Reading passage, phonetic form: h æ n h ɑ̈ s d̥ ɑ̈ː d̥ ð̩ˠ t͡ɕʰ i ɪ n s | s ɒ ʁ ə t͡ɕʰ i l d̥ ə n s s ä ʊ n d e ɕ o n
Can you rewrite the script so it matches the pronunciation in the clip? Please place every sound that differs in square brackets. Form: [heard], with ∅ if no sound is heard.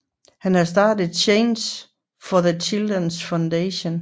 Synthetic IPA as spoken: h æ n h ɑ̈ s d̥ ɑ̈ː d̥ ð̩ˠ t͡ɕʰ [e] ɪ n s | [f] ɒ [ð] ə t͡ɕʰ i l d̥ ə n s [f] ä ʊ n d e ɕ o n